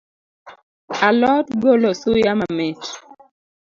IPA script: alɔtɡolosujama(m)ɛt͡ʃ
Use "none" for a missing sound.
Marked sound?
m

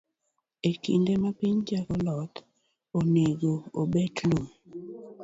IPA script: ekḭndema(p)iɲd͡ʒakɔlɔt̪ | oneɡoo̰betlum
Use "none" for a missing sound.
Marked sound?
p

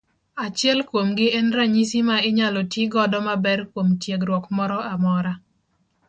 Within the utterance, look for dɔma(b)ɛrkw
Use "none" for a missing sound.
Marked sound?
b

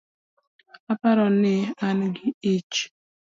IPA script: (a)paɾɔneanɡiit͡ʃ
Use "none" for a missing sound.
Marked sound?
a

